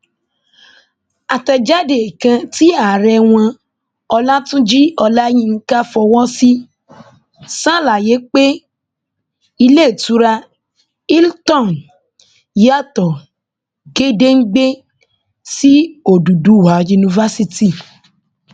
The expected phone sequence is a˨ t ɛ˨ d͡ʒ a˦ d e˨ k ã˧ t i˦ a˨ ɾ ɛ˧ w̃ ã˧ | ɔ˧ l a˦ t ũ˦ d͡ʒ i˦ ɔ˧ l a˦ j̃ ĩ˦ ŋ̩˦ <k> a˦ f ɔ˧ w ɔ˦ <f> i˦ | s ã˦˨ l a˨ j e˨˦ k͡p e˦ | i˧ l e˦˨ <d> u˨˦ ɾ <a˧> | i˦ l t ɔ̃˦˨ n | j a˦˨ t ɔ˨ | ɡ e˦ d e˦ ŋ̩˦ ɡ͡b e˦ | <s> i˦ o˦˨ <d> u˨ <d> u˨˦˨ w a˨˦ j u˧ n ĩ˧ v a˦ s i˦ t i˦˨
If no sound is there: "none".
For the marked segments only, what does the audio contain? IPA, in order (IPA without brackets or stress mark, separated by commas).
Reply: k, s, t, a˧, s, d, d